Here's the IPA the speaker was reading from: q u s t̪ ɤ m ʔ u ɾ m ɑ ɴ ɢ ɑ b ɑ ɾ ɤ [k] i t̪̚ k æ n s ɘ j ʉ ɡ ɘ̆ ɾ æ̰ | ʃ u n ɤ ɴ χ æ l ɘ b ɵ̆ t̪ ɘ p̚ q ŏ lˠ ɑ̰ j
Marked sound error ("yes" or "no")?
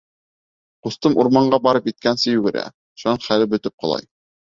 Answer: yes